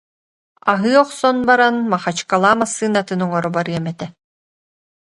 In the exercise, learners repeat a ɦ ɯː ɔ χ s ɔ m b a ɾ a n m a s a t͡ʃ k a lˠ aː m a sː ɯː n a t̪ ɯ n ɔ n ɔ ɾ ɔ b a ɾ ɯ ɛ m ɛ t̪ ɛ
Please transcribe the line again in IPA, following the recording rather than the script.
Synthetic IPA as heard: a ɦ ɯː ɔ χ s ɔ n b a ɾ a n m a χ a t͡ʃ k a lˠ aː m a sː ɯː n a t̪ ɯ n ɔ ŋ ɔ ɾ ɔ b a ɾ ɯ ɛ m ɛ t̪ ɛ